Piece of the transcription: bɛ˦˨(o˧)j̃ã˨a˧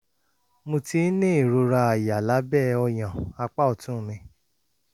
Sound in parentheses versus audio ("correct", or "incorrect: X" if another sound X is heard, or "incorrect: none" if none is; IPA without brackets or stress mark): incorrect: ɔ˧